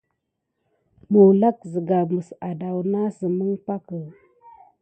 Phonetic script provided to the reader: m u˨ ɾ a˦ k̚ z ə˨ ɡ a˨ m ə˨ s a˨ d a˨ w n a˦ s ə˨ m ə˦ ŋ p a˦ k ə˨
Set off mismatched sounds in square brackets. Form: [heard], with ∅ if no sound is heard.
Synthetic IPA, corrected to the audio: m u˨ [l] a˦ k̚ z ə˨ ɡ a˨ m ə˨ s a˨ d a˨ w n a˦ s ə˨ m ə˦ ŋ p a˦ k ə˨